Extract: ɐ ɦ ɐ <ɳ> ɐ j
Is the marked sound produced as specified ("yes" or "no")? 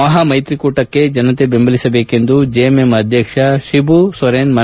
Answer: no